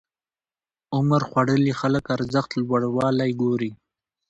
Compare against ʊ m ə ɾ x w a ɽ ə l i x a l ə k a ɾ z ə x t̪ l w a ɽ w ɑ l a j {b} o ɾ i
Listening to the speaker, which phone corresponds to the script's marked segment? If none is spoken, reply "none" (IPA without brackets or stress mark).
ɡ